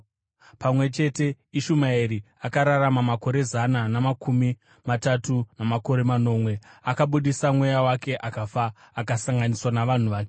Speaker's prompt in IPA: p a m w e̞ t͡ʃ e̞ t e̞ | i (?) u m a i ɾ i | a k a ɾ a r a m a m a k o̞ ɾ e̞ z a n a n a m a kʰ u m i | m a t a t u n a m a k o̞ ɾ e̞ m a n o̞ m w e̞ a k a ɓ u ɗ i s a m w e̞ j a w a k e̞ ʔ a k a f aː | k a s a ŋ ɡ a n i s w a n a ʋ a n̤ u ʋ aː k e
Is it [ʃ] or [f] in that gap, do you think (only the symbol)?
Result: ʃ